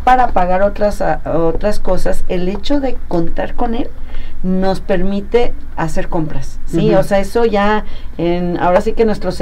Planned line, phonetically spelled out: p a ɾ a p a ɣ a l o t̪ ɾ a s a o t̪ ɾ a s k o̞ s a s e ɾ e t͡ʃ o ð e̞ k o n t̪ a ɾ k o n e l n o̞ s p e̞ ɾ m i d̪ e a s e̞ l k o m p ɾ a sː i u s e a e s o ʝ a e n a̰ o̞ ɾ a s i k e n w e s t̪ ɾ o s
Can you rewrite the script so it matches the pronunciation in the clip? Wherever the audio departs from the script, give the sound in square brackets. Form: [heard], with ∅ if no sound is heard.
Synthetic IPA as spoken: p a ɾ a p a ɣ a [ɾ] o t̪ ɾ a s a o t̪ ɾ a s k o̞ s a s e [l] e t͡ʃ o ð e̞ k o n t̪ a ɾ k o n e l n o̞ s p e̞ ɾ m i [t̪] e a s e̞ [ɾ] k o m p ɾ a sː i [o] s e a e s o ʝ a e n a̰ o̞ ɾ a s i k e n w e s t̪ ɾ o s